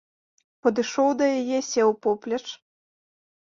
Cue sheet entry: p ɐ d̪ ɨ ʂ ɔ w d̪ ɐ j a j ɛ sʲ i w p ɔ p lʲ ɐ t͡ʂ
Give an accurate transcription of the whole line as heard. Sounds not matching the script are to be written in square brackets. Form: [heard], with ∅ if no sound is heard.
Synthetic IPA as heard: p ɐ d̪ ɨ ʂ ɔ w d̪ ɐ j a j ɛ sʲ [ɛ] w p ɔ p lʲ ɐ t͡ʂ